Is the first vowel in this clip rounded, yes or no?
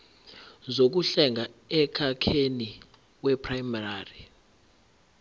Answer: yes